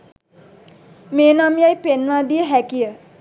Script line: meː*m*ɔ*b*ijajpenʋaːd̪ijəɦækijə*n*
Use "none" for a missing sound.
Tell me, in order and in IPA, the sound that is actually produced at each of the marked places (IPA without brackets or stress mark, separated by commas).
n, m, none